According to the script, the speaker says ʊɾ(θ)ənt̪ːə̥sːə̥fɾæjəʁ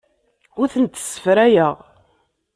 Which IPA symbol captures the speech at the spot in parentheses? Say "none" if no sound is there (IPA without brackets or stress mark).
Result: θ